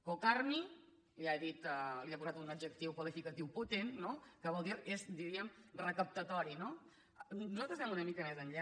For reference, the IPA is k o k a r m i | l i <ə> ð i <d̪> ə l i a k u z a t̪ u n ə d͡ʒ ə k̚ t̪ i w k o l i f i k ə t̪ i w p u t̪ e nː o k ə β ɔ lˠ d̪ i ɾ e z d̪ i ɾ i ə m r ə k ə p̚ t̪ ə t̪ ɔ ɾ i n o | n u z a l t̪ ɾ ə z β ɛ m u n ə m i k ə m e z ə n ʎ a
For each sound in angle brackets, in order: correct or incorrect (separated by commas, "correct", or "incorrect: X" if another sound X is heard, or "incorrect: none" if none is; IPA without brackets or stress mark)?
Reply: incorrect: a, incorrect: t̪